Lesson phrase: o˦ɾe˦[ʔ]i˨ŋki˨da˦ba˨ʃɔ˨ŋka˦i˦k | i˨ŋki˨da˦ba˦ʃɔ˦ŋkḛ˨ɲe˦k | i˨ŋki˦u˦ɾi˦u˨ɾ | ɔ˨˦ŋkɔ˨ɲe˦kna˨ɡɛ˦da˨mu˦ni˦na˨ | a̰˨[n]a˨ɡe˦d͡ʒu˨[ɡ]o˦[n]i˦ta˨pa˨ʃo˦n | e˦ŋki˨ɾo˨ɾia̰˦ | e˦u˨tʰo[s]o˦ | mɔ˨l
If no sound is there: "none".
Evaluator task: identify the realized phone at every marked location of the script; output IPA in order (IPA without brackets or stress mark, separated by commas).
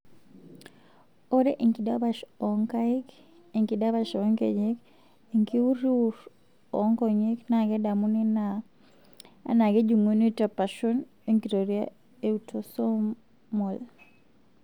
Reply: ʔ, n, ŋ, n, s